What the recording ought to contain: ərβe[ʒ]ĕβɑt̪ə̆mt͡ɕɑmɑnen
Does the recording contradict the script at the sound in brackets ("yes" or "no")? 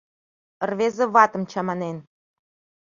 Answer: yes